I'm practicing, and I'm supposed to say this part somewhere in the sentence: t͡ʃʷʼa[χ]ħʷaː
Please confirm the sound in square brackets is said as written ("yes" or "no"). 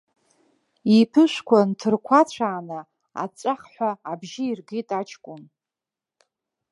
yes